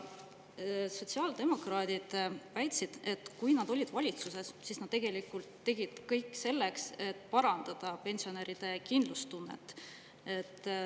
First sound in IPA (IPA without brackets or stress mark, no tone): s